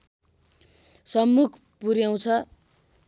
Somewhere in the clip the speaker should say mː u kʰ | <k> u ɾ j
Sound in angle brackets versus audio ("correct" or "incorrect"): incorrect